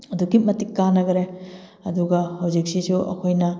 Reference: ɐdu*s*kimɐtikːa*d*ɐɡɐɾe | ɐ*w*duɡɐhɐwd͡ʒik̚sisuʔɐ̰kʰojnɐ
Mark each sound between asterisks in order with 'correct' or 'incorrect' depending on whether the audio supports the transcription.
incorrect: none, incorrect: n, incorrect: none

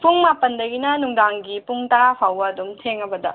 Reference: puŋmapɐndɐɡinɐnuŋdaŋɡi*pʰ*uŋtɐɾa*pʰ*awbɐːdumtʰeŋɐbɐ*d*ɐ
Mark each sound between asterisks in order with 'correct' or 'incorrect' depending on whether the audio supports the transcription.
incorrect: p, correct, correct

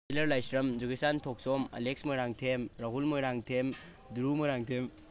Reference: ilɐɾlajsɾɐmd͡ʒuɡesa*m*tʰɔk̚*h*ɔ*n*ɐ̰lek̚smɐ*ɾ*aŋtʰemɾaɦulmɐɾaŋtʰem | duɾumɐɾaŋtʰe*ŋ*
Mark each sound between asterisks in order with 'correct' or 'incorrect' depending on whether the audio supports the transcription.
incorrect: n, incorrect: s, incorrect: m, correct, incorrect: m

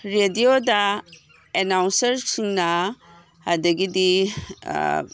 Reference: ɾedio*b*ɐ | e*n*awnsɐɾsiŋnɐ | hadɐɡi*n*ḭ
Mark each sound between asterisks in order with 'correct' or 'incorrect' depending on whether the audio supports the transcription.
incorrect: d, correct, incorrect: d

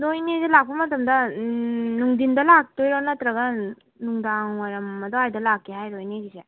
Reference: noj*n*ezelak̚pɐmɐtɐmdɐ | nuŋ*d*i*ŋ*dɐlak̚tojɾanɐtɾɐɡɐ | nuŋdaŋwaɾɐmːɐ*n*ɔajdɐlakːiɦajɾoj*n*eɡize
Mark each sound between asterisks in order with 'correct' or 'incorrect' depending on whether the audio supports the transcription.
correct, correct, incorrect: n, incorrect: d, correct

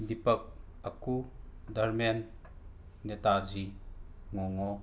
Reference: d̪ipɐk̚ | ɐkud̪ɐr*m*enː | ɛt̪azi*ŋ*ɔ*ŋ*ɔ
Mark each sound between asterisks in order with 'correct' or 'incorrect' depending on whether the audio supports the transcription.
correct, correct, correct

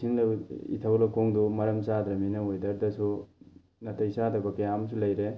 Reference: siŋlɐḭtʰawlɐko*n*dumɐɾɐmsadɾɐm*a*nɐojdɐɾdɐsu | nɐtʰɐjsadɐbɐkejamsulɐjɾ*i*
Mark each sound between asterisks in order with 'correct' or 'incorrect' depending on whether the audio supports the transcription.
incorrect: ŋ, incorrect: i, incorrect: e

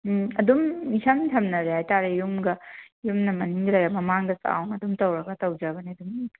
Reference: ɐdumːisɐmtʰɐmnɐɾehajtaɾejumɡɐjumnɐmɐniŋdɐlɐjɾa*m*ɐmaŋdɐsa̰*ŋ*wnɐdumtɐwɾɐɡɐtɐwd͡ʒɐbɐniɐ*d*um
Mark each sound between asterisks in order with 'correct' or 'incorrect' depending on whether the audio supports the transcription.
correct, incorrect: none, correct

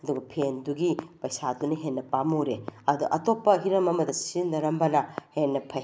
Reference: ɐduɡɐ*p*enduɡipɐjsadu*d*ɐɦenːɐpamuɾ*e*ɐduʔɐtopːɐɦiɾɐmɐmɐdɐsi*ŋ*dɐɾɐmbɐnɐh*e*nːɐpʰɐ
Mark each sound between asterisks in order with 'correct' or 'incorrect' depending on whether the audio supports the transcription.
incorrect: pʰ, incorrect: n, correct, incorrect: n, correct

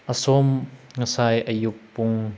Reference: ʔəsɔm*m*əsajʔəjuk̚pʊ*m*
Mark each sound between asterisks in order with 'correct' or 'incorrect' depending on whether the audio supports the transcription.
incorrect: ŋ, incorrect: ŋ

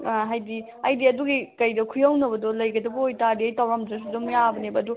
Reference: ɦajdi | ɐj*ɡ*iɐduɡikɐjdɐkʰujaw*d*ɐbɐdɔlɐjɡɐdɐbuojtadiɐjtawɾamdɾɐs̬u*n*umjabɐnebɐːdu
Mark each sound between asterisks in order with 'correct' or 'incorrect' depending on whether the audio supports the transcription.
incorrect: d, incorrect: n, incorrect: d

